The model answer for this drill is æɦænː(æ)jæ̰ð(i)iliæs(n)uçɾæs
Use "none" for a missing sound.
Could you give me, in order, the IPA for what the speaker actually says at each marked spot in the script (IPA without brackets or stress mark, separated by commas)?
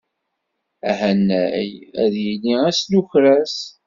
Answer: æ, j, n